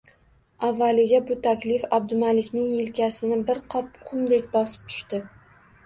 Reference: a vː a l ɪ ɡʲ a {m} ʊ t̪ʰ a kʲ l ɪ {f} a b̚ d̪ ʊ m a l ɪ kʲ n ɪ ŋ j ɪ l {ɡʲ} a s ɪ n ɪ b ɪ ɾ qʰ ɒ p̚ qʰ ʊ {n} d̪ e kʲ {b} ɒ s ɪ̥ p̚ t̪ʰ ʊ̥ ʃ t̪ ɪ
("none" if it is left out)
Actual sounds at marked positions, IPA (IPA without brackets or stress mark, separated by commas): b, f, kʲ, m, b